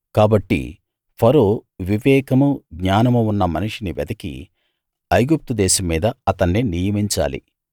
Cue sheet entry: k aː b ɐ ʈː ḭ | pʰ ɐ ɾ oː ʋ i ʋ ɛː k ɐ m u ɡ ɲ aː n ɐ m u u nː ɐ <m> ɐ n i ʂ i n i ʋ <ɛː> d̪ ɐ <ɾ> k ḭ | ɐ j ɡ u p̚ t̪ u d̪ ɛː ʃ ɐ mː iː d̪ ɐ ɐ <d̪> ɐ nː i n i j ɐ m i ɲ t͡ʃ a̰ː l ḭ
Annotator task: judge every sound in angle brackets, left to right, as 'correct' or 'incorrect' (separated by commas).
correct, incorrect, incorrect, incorrect